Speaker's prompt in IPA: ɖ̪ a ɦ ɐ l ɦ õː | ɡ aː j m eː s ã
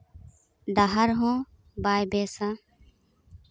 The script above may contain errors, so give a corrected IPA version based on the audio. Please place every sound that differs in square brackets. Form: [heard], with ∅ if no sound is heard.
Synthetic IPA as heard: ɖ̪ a ɦ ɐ [ɾ] ɦ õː | [b] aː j [b] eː s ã